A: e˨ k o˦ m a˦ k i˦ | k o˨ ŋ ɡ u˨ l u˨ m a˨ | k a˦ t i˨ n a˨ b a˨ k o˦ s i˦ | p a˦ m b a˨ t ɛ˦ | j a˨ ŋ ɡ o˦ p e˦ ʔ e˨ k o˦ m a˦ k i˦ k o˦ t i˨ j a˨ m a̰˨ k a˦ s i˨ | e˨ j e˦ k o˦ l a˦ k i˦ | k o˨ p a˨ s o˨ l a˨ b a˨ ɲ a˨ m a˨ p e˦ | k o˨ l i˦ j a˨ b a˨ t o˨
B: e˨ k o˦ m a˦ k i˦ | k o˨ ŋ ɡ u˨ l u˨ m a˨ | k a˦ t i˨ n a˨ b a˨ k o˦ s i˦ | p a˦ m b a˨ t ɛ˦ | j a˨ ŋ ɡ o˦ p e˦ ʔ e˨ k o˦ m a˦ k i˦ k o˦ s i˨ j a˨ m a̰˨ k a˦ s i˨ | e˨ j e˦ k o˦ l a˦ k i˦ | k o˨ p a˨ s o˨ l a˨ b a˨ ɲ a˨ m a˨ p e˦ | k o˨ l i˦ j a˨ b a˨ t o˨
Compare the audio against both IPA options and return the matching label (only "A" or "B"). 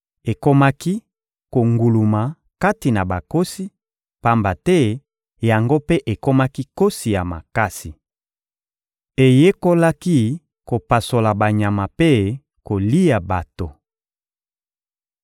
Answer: B